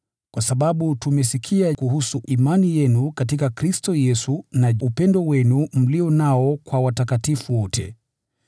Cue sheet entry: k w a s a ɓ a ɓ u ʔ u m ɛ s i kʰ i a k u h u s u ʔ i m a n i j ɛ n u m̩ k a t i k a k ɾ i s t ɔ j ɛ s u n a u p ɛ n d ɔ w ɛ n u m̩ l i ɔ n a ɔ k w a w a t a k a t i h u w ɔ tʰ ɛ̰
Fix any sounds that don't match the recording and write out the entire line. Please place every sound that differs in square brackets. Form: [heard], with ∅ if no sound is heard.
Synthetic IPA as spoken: k w a s a ɓ a ɓ u [t] u m ɛ s i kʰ i a k u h u s u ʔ i m a n i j ɛ n u [∅] k a t i k a k ɾ i s t ɔ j ɛ s u n a u p ɛ n d ɔ w ɛ n u m̩ l i ɔ n a ɔ k w a w a t a k a t i [f] u w ɔ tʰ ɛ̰